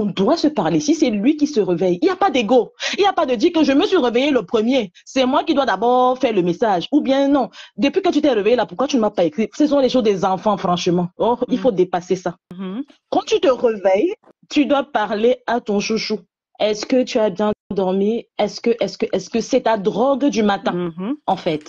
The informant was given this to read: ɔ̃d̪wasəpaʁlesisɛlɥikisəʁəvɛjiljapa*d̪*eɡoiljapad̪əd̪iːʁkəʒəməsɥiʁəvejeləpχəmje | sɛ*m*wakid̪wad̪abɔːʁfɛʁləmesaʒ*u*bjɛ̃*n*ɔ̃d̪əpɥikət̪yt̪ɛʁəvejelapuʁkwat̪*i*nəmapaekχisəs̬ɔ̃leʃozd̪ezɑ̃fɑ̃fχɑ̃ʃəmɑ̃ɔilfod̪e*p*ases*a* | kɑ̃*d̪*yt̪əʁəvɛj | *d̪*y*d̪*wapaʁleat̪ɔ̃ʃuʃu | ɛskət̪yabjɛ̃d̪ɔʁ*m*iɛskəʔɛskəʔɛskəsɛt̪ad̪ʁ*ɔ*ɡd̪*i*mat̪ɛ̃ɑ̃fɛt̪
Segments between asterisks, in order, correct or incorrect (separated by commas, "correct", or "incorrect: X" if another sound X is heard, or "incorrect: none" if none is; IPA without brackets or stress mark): correct, correct, correct, correct, incorrect: y, correct, correct, incorrect: t̪, incorrect: t̪, correct, correct, correct, incorrect: y